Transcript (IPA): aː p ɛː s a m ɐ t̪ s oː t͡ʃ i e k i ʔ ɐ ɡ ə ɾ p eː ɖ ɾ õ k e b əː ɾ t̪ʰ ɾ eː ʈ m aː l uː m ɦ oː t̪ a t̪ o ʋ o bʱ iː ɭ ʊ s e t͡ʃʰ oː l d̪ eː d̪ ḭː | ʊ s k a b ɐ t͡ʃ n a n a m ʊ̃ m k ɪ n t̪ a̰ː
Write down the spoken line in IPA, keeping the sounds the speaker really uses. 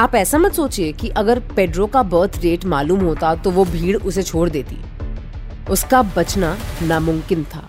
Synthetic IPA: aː p ɛː s a m ɐ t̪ s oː t͡ʃ i e k i ʔ ɐ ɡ ə ɾ p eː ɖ ɾ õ k a b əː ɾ t̪ʰ ɾ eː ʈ m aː l uː m ɦ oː t̪ a t̪ o ʋ o bʱ iː ɽ ʊ s e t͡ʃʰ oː ɽ d̪ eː t̪ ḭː | ʊ s k a b ɐ t͡ʃ n a n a m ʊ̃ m k ɪ n t̪ʰ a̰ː